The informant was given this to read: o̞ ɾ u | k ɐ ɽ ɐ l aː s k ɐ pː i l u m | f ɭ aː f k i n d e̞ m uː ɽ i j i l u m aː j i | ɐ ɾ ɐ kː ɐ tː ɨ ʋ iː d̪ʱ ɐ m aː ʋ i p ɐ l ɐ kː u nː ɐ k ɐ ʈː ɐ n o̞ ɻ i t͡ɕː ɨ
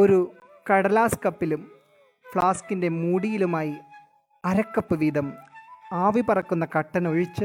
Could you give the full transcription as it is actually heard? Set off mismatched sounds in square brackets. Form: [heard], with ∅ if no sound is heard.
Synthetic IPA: o̞ ɾ u | k ɐ ɽ ɐ l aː s k ɐ pː i l u m | f ɭ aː [s] k i n d e̞ m uː ɽ i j i l u m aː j i | ɐ ɾ ɐ kː ɐ [pː] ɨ ʋ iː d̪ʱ ɐ m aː ʋ i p ɐ [r] ɐ kː u nː ɐ k ɐ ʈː ɐ n o̞ ɻ i t͡ɕː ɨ